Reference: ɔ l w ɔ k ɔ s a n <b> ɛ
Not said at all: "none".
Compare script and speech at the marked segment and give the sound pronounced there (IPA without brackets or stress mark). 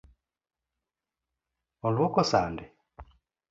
d